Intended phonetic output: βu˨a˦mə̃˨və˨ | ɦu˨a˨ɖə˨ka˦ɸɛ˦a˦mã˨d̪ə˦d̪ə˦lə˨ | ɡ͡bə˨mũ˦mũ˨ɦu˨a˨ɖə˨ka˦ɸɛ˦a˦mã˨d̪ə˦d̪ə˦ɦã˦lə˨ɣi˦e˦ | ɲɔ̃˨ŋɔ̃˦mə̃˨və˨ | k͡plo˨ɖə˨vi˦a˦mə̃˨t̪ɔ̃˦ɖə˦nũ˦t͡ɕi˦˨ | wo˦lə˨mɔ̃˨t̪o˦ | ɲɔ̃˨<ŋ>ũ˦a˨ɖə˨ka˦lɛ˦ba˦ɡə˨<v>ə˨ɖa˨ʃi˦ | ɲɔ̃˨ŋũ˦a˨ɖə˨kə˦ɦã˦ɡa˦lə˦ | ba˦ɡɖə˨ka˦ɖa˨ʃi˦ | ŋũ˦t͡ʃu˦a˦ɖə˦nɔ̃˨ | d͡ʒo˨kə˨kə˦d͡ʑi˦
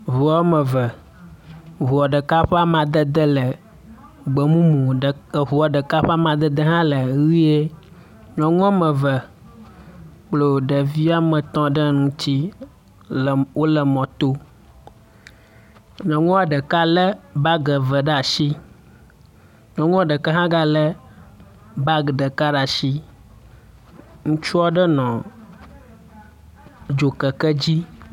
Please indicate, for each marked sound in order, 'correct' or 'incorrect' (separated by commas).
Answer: correct, correct